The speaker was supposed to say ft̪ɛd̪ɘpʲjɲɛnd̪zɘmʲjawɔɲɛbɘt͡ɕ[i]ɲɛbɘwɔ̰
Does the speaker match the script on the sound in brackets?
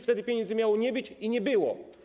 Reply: yes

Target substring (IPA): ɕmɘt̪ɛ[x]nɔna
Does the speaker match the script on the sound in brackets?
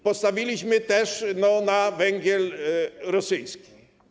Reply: no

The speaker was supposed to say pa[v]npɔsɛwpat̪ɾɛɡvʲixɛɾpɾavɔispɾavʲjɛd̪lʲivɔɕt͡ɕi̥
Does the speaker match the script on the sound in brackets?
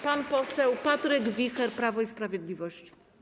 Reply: no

